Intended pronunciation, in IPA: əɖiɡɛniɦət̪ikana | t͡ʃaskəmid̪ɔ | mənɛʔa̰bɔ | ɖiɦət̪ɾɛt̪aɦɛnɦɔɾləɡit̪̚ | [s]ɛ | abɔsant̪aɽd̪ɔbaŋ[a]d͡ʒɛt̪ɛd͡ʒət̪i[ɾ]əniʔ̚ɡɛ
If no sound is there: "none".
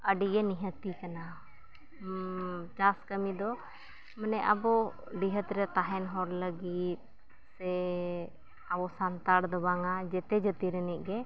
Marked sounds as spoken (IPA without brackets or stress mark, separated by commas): s, a, ɾ